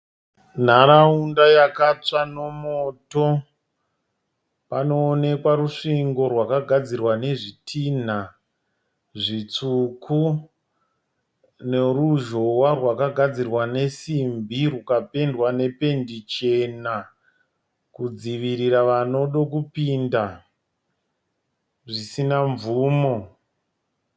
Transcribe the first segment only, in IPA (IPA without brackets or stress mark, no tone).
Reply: n̤